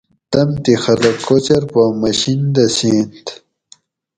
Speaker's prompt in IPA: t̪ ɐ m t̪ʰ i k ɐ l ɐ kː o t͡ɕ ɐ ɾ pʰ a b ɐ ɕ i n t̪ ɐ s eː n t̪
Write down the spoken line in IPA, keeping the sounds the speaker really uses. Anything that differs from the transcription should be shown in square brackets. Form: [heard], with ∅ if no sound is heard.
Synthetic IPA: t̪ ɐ m [t̪] i [x] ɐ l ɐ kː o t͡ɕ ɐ ɾ [p] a [m] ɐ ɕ i n [d̪] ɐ s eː n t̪